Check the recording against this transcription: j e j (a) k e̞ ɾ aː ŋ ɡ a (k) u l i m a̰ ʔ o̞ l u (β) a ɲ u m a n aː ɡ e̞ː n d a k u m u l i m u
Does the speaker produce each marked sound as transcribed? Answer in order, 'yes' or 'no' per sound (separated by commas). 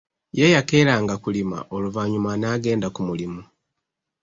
yes, yes, no